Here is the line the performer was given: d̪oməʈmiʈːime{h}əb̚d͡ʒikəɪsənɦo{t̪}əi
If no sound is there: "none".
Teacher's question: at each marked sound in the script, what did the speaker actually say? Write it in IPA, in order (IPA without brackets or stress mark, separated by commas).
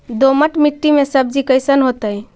s, t̪